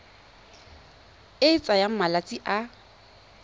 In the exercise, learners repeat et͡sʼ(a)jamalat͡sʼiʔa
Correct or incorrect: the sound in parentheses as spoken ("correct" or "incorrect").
correct